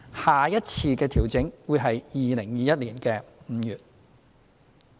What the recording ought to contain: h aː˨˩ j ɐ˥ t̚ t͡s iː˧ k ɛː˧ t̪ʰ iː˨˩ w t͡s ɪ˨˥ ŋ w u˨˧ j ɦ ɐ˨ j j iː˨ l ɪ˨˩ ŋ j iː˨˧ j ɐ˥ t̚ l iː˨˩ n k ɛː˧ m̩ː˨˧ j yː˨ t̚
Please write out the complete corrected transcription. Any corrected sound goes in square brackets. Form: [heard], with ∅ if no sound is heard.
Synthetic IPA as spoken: h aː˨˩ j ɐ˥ t̚ [t͡sʰ] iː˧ k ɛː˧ t̪ʰ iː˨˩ w t͡s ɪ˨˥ ŋ w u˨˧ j ɦ ɐ˨ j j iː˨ l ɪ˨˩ ŋ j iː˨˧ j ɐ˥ t̚ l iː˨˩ n k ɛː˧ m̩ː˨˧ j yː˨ t̚